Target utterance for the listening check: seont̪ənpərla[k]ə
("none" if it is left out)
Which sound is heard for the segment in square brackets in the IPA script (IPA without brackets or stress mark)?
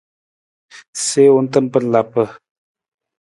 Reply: p